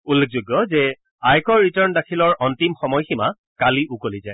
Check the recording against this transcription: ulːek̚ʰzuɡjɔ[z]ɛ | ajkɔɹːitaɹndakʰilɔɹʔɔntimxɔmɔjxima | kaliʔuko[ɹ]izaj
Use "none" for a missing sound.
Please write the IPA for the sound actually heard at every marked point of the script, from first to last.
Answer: z, l

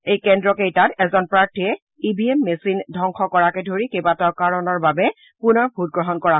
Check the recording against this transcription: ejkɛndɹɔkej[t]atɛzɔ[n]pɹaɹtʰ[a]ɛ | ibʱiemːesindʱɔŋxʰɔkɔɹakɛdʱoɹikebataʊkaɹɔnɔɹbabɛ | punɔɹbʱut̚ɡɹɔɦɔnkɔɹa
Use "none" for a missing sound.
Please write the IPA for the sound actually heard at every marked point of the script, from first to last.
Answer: t, n, i

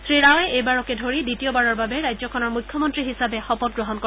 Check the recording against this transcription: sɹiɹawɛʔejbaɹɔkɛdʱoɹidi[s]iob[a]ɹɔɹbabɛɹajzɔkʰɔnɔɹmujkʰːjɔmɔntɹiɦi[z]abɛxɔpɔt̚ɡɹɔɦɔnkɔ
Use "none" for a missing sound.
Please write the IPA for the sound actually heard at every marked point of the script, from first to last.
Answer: t, a, s

